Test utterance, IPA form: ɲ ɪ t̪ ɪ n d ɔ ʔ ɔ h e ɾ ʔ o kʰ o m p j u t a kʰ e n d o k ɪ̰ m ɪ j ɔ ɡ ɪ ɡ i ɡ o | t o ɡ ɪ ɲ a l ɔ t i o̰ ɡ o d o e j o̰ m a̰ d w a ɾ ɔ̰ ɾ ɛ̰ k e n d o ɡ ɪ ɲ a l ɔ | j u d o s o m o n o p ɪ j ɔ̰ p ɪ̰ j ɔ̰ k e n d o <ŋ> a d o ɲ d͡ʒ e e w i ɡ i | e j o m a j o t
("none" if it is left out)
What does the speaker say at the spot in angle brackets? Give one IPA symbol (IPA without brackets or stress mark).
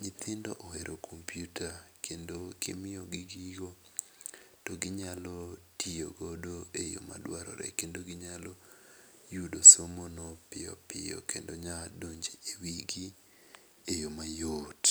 ɲ